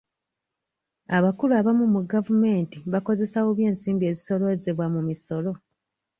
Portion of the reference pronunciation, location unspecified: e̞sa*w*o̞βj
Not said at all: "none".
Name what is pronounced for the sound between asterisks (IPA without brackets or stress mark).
w